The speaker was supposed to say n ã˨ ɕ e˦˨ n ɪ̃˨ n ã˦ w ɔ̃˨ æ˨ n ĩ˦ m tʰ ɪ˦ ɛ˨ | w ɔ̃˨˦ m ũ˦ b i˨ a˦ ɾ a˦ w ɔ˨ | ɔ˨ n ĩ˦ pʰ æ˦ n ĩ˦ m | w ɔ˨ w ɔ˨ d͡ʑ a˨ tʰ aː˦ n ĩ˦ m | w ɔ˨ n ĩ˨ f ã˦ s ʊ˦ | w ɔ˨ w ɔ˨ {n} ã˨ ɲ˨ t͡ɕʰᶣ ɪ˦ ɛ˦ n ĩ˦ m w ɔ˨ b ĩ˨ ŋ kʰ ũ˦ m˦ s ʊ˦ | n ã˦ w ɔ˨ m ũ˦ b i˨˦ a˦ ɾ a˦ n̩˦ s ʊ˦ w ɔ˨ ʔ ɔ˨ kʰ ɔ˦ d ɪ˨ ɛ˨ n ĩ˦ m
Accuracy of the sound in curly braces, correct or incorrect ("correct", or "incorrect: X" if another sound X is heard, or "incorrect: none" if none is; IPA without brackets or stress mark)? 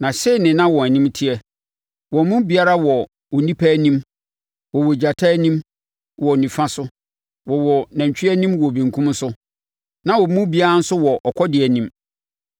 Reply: correct